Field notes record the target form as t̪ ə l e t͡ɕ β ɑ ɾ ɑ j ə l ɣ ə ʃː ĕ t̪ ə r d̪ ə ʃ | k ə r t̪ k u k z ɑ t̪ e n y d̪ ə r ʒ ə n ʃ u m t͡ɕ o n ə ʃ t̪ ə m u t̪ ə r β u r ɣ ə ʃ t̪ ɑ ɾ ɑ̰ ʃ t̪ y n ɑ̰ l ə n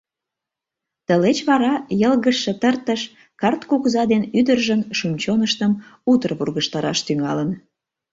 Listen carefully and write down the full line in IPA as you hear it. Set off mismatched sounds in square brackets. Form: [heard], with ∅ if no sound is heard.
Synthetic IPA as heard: t̪ ə l e t͡ɕ β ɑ ɾ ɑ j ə l ɣ ə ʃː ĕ t̪ ə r [t̪] ə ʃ | k [ɑ] r t̪ k u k z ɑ [d̪] e n y d̪ ə r ʒ ə n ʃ u m t͡ɕ o n ə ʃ t̪ ə m u t̪ ə r β u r ɣ ə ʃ t̪ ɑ ɾ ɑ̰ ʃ t̪ y [ŋ] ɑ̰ l ə n

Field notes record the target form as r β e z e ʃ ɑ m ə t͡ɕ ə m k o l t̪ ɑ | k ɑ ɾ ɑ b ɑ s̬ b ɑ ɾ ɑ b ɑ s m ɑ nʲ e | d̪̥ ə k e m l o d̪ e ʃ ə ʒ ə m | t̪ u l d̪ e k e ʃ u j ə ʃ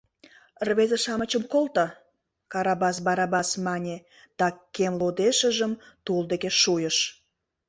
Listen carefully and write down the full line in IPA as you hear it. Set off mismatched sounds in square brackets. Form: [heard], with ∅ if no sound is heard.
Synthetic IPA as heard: r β e z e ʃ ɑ m ə t͡ɕ ə m k o l t̪ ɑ | k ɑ ɾ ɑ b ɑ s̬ b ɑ ɾ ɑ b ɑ s m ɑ nʲ e | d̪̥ [ɑ] k e m l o d̪ e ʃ ə ʒ ə m | t̪ u l d̪ e k e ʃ u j ə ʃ

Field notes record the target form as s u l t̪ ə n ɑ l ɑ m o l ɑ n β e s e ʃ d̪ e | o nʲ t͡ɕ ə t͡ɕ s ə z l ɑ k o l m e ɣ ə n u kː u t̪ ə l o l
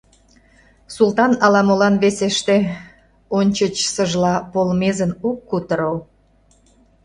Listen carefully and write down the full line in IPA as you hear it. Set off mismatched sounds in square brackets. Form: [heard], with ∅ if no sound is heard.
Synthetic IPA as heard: s u l t̪ [ɑ] n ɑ l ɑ m o l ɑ n β e s e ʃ [t̪] e | o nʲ t͡ɕ ə t͡ɕ s ə [ʒ] l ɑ [p] o l m e [z] ə n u kː u t̪ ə [ɾ] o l

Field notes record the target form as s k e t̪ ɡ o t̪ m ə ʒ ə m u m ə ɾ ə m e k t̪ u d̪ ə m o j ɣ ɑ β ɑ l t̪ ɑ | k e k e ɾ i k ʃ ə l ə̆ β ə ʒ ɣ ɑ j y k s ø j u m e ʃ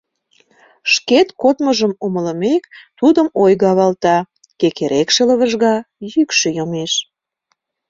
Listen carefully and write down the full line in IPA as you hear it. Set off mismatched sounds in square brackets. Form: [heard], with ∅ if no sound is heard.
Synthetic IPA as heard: [ʃ] k e t̪ [k] o t̪ m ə ʒ ə m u m ə [l] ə m e k t̪ u d̪ ə m o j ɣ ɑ β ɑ l t̪ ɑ | k e k e ɾ [e] k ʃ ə l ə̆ β ə ʒ ɣ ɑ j y k [ʃ] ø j [o] m e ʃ

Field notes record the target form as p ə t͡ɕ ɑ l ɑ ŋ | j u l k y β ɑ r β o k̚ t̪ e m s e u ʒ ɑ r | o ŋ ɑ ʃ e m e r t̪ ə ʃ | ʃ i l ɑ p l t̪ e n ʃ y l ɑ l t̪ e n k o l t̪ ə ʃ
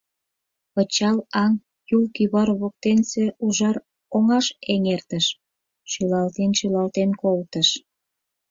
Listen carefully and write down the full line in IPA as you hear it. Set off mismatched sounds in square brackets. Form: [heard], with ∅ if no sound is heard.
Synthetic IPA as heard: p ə t͡ɕ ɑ l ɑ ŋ | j u l k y β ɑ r β o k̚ t̪ e [n] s e u ʒ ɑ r | o ŋ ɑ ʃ e [ŋ] e r t̪ ə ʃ | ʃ [y] l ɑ [∅] l t̪ e n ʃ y l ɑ l t̪ e n k o l t̪ ə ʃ

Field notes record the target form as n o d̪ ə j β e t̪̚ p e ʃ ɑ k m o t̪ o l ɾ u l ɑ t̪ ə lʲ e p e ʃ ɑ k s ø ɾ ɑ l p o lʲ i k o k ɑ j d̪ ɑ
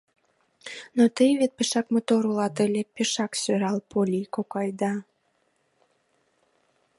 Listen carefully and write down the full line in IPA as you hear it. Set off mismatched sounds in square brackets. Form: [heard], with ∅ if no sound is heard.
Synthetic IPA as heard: n o [t̪] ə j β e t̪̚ p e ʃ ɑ k m o t̪ o [∅] ɾ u l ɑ t̪ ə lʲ e p e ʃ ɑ k s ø ɾ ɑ l p o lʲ i k o k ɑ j d̪ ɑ

